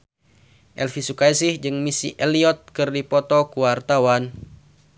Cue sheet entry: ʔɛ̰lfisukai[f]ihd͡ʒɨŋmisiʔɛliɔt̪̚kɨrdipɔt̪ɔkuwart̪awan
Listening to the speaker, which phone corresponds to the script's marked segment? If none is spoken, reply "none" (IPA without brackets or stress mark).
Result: s